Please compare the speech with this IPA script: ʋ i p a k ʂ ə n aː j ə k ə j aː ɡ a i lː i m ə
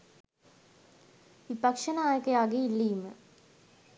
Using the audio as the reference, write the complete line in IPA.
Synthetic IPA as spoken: ʋ i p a k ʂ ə n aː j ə k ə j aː ɡ e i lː iː m ə